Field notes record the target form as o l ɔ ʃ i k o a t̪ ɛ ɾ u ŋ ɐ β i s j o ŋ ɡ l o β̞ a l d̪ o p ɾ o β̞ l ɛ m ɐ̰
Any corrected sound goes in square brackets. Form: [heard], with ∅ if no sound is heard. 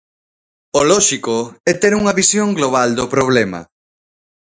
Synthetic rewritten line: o l ɔ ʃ i k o [ɛ] t̪ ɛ ɾ u ŋ ɐ β i s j o ŋ ɡ l o β̞ a l d̪ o p ɾ o β̞ l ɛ m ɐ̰